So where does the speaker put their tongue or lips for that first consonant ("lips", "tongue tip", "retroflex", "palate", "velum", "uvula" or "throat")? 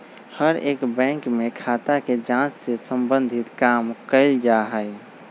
throat